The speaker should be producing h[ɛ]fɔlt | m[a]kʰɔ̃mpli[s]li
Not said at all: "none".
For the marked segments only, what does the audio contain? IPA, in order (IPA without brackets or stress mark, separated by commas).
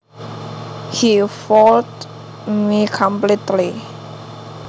i, i, t